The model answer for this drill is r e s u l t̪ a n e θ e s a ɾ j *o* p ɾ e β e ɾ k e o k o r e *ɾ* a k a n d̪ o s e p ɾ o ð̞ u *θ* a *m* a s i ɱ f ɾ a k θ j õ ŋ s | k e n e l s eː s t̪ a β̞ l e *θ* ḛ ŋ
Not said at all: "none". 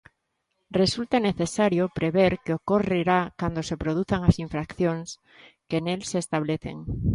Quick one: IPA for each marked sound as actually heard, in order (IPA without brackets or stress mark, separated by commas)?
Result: o, ɾ, θ, ŋ, θ